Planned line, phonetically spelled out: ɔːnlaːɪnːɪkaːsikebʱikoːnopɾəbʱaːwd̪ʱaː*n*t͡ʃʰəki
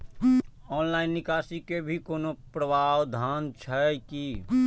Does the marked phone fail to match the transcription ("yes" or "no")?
no